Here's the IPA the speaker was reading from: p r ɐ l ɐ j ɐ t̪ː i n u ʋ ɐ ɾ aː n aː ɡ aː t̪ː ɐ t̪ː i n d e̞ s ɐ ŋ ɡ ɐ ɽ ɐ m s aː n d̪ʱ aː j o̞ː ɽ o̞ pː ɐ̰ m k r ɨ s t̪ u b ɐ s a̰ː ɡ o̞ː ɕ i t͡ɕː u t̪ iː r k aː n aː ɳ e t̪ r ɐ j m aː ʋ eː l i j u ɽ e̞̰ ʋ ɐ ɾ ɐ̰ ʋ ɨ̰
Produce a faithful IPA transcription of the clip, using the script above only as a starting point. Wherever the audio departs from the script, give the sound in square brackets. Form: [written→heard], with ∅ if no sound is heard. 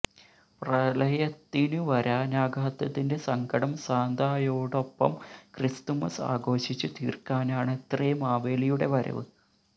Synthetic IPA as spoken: p r ɐ l ɐ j ɐ t̪ː i n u ʋ ɐ ɾ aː n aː ɡ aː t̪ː ɐ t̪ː i n d e̞ s ɐ ŋ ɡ ɐ ɽ ɐ m s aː n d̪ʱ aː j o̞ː ɽ o̞ pː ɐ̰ m k r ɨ s t̪ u [b→m] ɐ s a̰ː ɡ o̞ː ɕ i t͡ɕː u t̪ iː r k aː n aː ɳ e t̪ r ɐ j m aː ʋ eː l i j u ɽ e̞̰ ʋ ɐ ɾ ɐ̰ ʋ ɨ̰